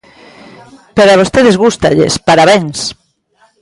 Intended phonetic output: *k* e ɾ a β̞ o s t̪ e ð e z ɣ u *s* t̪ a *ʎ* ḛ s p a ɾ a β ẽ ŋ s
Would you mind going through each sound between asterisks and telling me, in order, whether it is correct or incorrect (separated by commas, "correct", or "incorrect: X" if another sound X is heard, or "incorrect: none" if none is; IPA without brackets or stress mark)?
incorrect: p, correct, correct